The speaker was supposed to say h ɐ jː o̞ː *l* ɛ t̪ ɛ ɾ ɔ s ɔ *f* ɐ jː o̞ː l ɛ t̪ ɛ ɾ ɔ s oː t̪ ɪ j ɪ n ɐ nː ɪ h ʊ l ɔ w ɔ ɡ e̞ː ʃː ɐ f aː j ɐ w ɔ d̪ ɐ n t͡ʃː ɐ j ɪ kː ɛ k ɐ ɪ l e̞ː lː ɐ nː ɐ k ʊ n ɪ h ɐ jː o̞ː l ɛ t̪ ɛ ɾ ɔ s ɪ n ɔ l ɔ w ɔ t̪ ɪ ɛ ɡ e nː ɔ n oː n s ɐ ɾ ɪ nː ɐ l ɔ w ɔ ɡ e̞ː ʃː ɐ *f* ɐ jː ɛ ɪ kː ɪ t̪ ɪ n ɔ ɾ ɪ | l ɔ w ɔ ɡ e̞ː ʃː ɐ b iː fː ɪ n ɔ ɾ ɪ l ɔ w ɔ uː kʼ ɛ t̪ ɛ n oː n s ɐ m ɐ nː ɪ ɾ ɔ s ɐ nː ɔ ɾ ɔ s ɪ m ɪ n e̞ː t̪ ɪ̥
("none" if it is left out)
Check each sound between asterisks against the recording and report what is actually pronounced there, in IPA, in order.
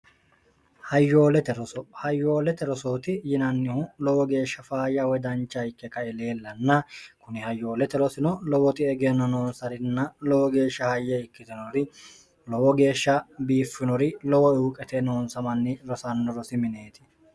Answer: l, h, h

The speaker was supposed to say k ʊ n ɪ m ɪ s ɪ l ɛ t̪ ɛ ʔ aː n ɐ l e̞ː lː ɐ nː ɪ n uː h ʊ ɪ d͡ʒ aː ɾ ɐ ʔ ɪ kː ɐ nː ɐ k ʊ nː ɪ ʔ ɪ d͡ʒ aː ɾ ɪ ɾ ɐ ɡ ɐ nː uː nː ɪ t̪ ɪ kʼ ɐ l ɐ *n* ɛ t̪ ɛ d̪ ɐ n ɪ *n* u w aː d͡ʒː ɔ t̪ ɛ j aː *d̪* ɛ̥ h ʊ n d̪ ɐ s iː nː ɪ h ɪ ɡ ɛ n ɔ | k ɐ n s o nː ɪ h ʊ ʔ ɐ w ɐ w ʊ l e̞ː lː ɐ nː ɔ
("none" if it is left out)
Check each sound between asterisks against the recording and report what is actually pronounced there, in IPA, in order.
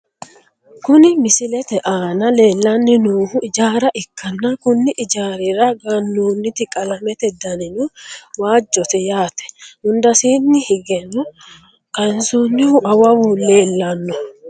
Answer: m, n, t̪

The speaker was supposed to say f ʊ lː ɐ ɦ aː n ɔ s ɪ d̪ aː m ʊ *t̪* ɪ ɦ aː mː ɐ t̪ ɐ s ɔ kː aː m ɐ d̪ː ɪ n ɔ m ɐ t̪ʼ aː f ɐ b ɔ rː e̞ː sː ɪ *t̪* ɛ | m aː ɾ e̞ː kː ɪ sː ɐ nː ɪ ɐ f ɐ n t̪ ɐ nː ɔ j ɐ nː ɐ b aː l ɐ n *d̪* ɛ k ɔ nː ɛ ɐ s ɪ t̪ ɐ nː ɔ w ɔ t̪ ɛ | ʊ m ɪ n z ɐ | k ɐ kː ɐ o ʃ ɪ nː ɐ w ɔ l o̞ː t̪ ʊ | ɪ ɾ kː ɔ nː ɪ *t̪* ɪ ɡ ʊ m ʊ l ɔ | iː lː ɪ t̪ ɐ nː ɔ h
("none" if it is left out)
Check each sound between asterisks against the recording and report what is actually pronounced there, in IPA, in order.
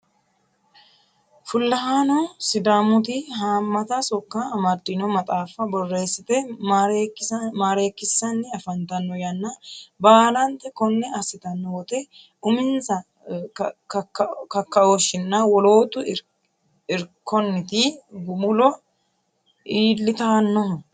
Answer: t̪, t̪, t̪, t̪

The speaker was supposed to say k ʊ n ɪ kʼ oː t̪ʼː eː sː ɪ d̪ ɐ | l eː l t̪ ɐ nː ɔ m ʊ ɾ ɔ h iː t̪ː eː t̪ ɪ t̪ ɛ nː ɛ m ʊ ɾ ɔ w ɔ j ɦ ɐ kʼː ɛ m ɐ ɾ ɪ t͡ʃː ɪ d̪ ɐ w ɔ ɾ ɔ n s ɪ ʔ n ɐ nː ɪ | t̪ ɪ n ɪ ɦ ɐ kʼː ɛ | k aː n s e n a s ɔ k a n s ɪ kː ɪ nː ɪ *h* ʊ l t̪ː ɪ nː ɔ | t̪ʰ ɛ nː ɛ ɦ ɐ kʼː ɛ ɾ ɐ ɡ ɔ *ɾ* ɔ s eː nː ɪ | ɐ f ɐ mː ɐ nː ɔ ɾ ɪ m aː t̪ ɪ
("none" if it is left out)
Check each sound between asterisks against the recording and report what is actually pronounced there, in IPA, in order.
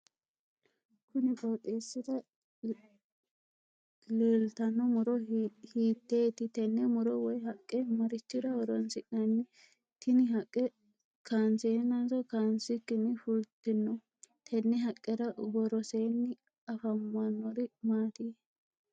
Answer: f, ɾ

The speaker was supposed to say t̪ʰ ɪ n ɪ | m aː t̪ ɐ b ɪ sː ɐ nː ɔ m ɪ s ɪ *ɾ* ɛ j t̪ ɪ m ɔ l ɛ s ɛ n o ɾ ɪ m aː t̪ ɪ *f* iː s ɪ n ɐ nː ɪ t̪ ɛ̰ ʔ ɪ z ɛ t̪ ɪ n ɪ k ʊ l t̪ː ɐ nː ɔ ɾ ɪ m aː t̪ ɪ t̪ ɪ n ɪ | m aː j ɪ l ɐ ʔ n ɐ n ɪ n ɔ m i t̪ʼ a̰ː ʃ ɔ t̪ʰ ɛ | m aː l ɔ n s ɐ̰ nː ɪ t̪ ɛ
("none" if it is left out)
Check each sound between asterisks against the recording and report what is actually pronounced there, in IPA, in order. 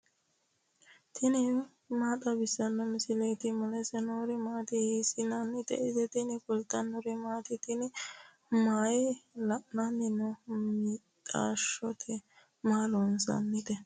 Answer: l, h

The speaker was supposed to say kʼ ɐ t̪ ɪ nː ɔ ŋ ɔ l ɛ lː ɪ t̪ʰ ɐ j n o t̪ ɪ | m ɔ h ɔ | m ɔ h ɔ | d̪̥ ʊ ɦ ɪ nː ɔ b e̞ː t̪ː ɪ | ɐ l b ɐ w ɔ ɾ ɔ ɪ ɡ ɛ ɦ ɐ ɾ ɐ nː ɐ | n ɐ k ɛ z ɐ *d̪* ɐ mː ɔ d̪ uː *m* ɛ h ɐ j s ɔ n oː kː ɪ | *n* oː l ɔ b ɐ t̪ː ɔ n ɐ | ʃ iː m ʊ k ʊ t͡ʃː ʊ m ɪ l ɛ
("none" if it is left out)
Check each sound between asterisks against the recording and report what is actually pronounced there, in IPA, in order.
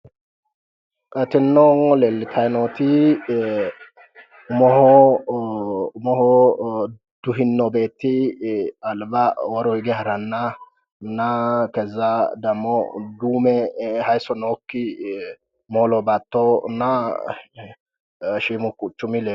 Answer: d̪, m, m

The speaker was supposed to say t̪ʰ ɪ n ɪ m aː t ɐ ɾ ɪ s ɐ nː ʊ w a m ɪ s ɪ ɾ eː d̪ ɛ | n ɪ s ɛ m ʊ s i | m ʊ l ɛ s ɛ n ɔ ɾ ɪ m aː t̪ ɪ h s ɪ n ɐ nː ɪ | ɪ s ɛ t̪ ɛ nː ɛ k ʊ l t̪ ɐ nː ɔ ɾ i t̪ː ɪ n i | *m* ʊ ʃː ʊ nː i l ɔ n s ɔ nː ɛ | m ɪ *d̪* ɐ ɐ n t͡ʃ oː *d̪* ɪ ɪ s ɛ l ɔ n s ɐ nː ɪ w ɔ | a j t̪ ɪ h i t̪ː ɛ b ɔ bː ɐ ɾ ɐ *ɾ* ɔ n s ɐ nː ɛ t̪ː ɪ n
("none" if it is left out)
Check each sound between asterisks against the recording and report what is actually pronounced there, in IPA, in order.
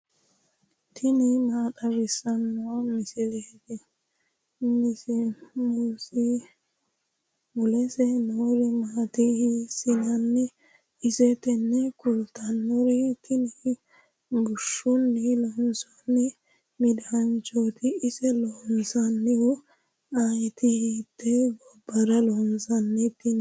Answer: b, d̪, t̪, l

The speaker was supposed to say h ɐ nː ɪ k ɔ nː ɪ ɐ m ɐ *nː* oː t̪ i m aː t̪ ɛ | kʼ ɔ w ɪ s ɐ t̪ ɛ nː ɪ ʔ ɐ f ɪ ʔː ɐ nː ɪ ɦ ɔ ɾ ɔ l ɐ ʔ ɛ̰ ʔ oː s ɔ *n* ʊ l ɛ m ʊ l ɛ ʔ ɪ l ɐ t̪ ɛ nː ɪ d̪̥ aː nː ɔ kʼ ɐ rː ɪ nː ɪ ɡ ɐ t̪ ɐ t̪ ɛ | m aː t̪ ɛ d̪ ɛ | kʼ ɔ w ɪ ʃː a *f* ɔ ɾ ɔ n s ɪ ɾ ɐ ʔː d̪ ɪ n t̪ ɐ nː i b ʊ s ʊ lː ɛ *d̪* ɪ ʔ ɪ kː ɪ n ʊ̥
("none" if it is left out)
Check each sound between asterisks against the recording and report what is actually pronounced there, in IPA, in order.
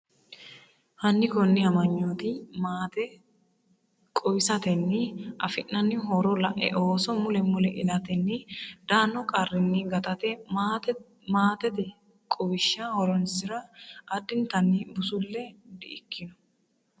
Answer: ɲː, m, h, d̪

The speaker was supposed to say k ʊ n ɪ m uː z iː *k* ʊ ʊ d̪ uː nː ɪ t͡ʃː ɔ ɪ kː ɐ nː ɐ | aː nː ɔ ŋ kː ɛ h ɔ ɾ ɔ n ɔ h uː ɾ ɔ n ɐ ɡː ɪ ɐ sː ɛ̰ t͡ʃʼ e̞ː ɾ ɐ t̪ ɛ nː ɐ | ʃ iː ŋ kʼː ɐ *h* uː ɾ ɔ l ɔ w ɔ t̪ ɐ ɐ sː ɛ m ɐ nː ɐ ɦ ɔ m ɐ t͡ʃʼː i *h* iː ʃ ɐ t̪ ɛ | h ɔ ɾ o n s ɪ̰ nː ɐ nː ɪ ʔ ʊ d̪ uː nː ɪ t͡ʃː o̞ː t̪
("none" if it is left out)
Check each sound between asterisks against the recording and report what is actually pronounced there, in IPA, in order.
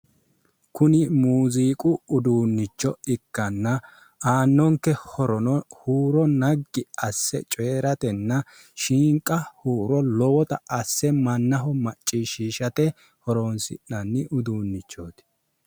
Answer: kʼ, h, ʃ

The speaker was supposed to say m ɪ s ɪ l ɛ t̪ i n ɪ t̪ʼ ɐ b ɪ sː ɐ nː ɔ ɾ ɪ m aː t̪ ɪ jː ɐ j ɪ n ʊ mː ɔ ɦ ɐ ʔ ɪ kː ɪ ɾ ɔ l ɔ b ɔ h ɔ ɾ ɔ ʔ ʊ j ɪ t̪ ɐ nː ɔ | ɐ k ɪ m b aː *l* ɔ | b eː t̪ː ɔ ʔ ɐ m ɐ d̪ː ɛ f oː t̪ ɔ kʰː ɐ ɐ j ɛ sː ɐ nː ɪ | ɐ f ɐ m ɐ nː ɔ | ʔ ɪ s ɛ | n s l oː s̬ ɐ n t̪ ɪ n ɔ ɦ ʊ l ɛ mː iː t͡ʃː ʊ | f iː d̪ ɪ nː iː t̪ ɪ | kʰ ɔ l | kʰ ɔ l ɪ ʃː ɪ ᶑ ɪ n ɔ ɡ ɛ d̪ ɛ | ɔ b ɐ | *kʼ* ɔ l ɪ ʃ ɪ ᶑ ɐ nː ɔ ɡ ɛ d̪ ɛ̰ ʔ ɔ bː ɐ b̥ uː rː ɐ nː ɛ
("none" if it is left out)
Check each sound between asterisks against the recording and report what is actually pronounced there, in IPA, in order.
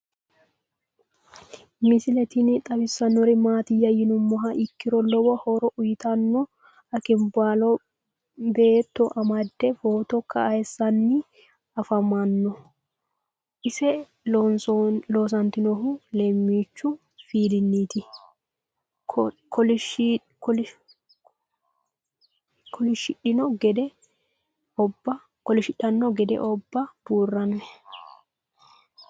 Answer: l, k

